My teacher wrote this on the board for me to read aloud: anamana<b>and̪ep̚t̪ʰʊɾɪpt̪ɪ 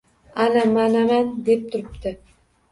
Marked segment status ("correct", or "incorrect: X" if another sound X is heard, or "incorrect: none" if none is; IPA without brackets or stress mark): incorrect: m